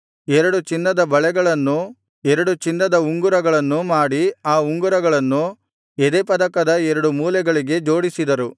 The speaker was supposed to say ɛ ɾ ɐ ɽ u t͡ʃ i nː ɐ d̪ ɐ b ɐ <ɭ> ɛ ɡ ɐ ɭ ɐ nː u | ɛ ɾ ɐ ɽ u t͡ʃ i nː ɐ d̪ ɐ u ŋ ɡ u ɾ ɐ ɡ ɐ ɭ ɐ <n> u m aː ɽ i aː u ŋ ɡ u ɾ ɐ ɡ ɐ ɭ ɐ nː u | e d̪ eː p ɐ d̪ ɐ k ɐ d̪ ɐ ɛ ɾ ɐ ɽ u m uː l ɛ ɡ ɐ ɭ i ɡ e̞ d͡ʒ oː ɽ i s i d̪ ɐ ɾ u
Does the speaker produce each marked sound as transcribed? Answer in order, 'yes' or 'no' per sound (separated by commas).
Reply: yes, no